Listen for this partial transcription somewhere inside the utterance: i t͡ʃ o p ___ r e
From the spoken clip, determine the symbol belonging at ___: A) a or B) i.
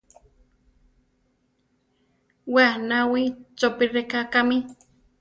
B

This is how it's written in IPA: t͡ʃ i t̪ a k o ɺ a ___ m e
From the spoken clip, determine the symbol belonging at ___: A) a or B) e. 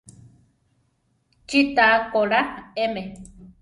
B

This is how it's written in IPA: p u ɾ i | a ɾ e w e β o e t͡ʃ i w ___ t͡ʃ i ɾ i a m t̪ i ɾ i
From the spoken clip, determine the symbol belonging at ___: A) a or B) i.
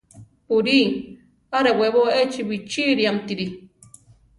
B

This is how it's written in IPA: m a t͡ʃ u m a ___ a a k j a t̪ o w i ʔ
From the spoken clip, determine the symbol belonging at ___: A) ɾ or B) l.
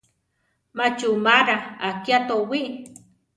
A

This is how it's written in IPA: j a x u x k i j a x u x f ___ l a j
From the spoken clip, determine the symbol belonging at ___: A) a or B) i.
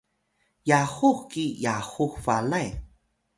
A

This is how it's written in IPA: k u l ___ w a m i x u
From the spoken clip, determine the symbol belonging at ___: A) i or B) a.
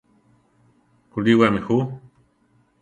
A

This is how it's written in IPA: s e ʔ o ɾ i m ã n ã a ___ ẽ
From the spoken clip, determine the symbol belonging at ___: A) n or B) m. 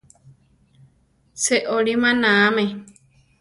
B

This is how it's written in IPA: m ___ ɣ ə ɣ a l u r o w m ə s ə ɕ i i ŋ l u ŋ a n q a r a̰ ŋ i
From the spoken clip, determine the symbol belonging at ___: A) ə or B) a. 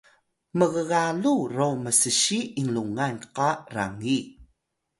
A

